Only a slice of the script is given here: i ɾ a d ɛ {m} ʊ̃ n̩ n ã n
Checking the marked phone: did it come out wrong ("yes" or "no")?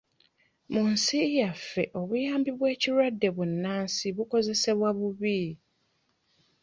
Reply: yes